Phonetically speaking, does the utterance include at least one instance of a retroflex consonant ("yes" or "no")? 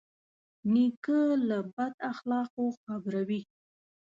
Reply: no